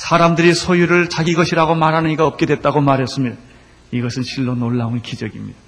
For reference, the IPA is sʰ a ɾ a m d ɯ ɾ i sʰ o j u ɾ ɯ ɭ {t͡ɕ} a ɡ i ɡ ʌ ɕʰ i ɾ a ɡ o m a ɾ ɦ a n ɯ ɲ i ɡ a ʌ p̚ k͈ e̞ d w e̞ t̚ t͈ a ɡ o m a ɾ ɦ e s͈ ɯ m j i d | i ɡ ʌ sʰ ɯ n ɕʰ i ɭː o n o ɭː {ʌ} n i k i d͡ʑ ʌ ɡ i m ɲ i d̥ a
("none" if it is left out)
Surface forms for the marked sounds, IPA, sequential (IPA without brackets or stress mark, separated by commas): t͡ɕ, a